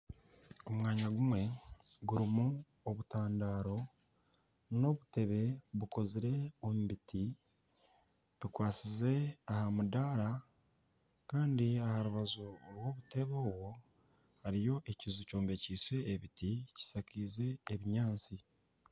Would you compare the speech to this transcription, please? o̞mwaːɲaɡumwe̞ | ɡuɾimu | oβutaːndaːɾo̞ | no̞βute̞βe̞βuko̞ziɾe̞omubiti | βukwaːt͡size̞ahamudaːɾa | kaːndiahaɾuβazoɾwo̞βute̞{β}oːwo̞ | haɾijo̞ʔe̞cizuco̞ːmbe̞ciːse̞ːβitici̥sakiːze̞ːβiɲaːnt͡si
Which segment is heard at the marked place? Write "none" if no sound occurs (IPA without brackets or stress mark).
β